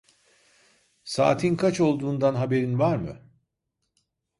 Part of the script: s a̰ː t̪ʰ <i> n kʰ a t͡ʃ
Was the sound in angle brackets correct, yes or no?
yes